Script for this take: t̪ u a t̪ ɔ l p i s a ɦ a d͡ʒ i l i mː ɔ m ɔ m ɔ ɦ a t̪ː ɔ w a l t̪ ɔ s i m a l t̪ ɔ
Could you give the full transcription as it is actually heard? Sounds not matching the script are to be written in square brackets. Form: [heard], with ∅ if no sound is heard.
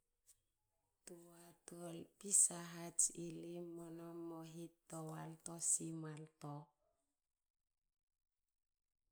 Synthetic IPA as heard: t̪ u a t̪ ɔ l p i s a ɦ a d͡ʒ i l i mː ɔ [n] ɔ m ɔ ɦ [i] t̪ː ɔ w a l t̪ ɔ s i m a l t̪ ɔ